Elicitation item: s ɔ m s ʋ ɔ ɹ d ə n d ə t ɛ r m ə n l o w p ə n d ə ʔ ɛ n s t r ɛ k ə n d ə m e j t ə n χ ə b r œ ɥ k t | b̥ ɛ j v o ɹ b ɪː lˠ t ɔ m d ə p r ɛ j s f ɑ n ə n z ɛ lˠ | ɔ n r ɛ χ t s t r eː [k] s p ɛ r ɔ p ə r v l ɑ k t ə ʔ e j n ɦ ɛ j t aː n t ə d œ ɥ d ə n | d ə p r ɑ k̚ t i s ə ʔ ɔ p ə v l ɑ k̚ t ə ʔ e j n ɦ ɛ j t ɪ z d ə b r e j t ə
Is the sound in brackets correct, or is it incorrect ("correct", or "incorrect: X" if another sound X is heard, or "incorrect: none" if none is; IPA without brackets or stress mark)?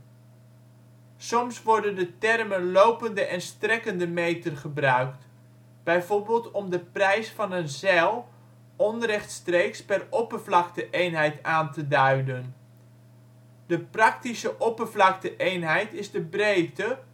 correct